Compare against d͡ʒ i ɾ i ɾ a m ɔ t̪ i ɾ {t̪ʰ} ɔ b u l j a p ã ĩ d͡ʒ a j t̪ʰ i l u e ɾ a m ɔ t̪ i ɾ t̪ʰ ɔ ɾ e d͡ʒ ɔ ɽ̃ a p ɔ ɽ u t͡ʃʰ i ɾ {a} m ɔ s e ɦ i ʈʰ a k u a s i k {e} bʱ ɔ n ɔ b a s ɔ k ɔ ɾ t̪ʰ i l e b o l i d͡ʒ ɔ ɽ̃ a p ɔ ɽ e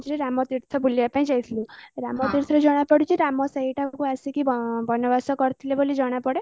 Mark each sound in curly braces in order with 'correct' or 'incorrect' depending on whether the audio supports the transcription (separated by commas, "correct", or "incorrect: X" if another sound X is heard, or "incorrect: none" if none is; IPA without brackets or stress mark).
correct, correct, incorrect: i